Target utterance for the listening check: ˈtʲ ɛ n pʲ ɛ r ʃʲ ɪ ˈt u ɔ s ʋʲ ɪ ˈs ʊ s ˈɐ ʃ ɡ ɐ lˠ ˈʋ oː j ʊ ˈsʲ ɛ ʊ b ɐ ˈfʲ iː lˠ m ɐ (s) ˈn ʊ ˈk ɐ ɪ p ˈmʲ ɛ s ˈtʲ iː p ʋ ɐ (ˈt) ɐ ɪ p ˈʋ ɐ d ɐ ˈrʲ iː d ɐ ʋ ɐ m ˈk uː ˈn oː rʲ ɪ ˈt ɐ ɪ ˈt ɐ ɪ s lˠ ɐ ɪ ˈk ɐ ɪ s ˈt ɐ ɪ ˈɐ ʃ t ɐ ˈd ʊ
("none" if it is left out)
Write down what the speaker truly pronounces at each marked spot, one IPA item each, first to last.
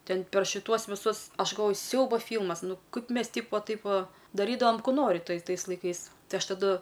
s, t

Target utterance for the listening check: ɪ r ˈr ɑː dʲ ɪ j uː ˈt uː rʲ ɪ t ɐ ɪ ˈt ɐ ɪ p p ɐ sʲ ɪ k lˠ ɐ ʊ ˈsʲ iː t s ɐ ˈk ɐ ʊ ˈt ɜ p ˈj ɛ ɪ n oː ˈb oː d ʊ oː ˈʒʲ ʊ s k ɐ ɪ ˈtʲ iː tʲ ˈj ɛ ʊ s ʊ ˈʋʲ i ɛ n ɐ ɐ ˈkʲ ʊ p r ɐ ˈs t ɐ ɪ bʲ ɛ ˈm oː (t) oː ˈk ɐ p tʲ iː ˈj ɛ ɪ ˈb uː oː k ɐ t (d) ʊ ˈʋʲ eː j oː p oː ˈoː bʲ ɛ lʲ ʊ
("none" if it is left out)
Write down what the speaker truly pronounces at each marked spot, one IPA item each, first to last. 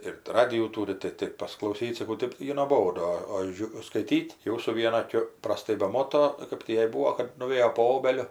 t, n

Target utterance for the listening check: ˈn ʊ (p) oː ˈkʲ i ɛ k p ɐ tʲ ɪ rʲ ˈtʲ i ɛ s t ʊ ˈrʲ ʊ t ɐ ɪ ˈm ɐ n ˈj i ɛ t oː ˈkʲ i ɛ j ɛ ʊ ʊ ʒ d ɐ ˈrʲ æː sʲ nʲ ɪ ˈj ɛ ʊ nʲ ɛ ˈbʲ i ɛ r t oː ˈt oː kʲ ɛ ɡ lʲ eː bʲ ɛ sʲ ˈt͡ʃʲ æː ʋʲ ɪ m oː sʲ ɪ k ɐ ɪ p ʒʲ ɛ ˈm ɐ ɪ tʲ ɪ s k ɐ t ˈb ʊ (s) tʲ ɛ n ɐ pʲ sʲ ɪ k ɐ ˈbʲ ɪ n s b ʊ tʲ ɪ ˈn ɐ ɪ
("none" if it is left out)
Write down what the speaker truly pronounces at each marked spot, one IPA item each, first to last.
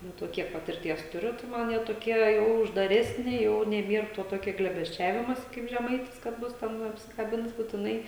t, s

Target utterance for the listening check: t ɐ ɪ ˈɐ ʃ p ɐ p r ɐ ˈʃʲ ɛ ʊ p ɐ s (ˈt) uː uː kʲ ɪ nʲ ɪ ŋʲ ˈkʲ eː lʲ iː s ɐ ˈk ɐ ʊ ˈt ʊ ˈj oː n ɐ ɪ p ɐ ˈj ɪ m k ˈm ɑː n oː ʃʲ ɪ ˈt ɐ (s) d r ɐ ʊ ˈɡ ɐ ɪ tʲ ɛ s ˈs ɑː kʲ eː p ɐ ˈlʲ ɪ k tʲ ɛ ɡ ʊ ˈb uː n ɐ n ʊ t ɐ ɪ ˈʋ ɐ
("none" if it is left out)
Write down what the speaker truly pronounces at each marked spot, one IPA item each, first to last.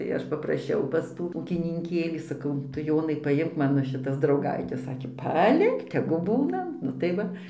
t, s

